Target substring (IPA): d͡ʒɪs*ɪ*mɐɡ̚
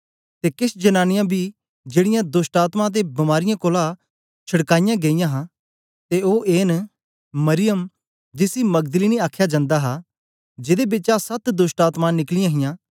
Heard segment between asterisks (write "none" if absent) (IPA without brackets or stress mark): i